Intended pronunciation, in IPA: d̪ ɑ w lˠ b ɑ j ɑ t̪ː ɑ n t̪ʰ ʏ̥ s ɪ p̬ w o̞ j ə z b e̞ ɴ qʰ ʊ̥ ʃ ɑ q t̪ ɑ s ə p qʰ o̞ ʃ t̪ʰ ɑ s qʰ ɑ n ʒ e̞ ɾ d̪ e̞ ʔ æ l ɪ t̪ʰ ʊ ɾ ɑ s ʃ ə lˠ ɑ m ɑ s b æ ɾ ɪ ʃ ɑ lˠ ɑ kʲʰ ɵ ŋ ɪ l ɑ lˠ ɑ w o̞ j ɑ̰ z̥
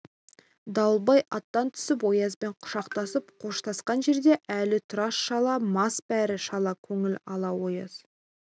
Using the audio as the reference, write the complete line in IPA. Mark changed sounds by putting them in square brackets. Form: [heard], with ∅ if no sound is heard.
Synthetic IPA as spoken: d̪ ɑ w lˠ b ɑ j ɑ t̪ː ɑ n t̪ʰ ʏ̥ s ɪ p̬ w o̞ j [ɑ] z b e̞ ɴ qʰ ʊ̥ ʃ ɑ q t̪ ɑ s ə p qʰ o̞ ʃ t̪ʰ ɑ s [q] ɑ n ʒ e̞ ɾ d̪ e̞ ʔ æ l ɪ t̪ʰ ʊ ɾ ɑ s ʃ [ɑ] lˠ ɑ m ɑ s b æ ɾ ɪ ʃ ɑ lˠ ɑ kʲʰ ɵ ŋ ɪ l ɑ lˠ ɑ w o̞ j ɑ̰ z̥